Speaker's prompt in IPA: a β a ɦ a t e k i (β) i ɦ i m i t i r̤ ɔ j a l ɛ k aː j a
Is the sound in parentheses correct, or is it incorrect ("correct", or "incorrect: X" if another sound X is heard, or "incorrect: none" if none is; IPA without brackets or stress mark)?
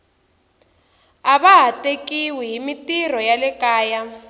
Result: incorrect: w